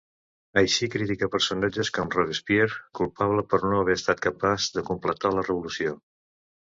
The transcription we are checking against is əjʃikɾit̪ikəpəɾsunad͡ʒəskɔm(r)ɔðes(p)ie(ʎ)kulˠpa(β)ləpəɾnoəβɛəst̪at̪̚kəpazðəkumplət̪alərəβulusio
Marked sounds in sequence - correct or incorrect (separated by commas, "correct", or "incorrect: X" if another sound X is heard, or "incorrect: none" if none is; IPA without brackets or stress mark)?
correct, correct, incorrect: ɾ, correct